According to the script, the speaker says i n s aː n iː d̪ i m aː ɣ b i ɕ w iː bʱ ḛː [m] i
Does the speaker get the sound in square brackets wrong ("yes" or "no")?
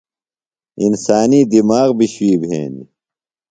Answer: yes